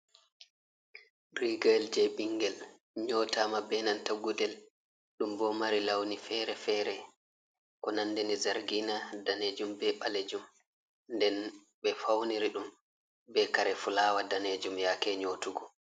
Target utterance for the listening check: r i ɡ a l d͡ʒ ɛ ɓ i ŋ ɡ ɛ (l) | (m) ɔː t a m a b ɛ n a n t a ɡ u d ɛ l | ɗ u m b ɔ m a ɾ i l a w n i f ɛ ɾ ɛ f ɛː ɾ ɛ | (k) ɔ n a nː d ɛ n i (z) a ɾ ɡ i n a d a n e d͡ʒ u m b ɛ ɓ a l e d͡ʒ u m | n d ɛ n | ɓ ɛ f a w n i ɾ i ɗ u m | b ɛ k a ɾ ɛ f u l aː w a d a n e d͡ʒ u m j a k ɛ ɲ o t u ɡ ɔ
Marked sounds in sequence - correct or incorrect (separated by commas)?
correct, incorrect, correct, correct